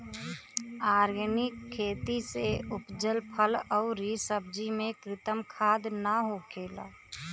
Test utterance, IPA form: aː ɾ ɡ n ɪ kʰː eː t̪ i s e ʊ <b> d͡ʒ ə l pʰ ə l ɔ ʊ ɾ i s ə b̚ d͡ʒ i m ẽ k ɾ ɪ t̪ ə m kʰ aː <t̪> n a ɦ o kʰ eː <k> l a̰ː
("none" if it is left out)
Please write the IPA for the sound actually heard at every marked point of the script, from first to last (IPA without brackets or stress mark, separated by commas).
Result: p, d̪, none